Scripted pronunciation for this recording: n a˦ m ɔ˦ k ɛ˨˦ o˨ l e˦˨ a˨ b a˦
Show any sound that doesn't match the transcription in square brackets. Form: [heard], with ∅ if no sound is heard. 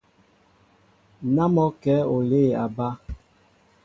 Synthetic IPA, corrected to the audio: n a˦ m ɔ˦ k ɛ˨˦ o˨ l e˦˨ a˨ b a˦